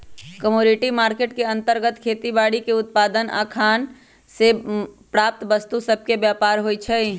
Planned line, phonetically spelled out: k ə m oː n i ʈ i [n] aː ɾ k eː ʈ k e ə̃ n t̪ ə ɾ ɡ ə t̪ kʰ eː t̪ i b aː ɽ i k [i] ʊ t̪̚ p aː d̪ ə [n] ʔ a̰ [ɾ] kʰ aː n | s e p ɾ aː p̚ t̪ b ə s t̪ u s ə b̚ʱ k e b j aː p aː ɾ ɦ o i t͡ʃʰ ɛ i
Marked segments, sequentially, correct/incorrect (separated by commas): incorrect, incorrect, correct, incorrect